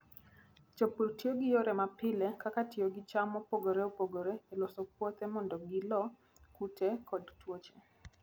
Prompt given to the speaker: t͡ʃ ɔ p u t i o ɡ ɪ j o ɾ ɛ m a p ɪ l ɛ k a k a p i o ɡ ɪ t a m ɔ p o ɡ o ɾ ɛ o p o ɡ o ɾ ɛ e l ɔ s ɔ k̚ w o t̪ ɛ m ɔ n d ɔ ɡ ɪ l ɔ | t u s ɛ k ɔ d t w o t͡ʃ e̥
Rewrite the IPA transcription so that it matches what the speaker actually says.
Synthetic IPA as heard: t͡ʃ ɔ p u t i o ɡ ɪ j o ɾ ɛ m a p ɪ l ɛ k a k a t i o ɡ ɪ t͡ʃ a m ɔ p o ɡ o ɾ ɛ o p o ɡ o ɾ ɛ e l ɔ s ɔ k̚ w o t̪ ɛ m ɔ n d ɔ ɡ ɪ l ɔ | k u t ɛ k ɔ d t w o t͡ʃ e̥